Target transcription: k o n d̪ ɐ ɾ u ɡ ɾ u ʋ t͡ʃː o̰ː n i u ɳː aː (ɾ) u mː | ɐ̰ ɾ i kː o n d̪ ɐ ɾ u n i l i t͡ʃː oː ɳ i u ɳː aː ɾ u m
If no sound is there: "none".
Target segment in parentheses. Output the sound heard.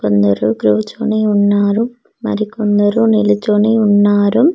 ɾ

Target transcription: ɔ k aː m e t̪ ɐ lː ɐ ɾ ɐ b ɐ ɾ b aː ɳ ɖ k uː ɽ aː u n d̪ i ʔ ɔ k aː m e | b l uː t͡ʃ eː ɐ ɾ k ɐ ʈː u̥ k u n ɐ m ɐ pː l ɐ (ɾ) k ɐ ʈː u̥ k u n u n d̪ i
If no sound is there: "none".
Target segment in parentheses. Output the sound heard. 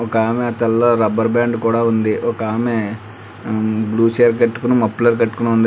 ɾ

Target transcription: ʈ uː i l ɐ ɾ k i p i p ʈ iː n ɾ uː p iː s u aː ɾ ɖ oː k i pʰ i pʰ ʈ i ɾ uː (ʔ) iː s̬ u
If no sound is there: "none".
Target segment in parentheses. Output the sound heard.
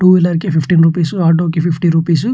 p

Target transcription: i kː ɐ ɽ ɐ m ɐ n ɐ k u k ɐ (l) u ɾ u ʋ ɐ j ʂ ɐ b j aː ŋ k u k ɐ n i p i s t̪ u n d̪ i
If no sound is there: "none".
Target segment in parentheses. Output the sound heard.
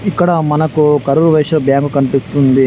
ɾ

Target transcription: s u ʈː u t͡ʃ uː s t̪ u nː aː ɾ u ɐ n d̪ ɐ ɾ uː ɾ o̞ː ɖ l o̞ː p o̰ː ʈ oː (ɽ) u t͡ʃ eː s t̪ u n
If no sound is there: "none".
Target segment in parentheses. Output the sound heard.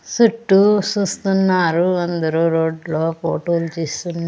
l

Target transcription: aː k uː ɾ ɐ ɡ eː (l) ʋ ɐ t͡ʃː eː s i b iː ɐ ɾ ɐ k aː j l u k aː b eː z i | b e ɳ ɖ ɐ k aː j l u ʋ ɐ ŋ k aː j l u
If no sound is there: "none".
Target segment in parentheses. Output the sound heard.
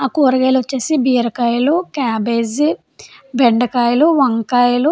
l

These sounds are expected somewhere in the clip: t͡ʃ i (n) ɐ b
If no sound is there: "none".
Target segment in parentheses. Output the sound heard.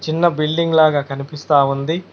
nː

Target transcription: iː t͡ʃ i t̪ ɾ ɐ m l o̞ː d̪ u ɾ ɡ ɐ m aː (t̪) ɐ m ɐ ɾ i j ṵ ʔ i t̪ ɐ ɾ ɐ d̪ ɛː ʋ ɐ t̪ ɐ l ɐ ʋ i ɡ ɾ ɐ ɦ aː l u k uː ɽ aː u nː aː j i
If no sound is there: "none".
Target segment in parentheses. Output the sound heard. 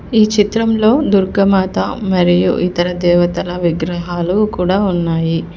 t̪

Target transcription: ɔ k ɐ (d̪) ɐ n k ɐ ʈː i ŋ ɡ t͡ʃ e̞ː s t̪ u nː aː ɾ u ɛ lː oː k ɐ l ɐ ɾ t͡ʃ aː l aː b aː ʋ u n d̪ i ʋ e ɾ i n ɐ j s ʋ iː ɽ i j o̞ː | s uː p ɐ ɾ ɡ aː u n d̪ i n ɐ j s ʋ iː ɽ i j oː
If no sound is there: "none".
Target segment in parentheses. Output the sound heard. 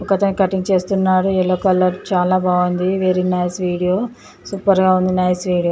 t̪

